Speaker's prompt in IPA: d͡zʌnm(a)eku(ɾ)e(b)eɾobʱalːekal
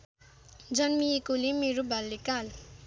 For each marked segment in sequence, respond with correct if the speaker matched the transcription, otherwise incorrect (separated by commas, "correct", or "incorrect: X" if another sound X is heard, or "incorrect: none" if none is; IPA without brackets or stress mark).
incorrect: i, incorrect: l, incorrect: m